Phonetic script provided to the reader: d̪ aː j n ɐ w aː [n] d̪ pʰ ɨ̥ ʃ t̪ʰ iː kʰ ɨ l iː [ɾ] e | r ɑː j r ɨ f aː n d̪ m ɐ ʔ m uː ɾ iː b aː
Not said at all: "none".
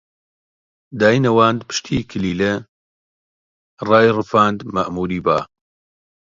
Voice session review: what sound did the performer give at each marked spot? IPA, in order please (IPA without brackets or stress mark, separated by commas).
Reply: n, l